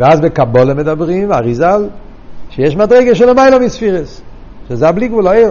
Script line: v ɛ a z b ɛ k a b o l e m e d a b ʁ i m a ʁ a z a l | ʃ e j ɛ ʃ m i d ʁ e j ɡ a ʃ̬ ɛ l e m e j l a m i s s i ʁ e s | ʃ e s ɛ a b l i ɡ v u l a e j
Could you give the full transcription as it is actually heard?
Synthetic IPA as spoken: v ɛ a z b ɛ k a b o l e m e d a b ʁ i m a ʁ i z a l | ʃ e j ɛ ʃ m a d ʁ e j ɡ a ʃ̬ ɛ l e m a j l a m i s f i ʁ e s | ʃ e z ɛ a b l i ɡ v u l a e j